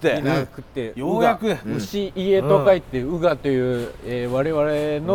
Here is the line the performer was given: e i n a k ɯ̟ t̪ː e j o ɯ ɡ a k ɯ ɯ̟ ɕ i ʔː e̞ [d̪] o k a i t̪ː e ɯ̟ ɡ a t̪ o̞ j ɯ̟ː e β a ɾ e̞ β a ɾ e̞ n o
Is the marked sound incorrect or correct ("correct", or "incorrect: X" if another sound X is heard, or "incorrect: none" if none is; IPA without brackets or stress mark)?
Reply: incorrect: t̪